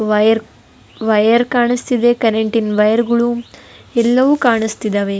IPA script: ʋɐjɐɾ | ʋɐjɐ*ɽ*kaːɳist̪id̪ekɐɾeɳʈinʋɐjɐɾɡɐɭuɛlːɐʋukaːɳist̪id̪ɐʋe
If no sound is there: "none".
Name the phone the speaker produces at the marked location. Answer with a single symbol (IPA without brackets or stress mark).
ɾ